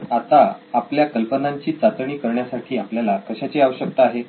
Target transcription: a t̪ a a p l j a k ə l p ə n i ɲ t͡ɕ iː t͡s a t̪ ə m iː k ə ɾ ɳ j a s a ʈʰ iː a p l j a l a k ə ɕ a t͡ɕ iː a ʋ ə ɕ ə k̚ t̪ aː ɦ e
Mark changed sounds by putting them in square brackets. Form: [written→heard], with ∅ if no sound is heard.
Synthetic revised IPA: a t̪ a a p l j a k ə l p ə n [i→a] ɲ t͡ɕ iː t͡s a t̪ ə [m→ɳ] iː k ə ɾ ɳ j a s a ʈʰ iː a p l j a l a k ə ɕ a t͡ɕ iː a ʋ ə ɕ ə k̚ t̪ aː ɦ e